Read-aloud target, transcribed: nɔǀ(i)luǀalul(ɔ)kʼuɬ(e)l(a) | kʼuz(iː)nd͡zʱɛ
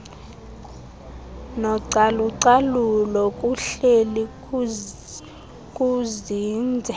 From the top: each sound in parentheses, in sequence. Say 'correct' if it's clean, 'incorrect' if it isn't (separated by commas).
incorrect, correct, correct, incorrect, correct